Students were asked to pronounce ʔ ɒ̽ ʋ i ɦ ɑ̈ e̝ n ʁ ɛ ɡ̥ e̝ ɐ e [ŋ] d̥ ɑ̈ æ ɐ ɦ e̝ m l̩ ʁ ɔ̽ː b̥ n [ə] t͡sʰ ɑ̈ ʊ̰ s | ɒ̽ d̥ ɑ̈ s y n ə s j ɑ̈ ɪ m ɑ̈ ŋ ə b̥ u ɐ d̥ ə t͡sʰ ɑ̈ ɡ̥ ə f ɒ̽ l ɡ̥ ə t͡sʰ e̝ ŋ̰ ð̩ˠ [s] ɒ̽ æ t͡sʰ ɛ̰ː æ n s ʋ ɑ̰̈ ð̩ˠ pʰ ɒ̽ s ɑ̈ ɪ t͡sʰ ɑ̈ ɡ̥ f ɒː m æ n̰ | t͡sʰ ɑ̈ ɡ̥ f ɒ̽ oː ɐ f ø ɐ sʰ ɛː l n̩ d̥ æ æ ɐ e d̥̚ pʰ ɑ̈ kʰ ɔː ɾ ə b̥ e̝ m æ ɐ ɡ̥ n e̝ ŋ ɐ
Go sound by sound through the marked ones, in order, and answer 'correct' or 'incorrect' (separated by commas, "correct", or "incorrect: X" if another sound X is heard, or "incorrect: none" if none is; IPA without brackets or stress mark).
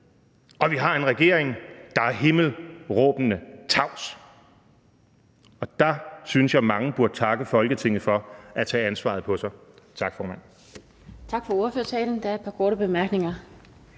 correct, correct, incorrect: f